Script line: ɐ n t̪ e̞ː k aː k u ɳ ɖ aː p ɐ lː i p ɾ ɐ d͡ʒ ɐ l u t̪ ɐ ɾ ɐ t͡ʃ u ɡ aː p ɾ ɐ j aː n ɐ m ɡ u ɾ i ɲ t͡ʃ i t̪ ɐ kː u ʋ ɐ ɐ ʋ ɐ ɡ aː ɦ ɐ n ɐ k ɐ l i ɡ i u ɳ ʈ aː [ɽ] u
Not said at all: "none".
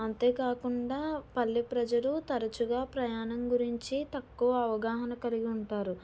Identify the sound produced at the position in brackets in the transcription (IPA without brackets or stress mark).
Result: ɾ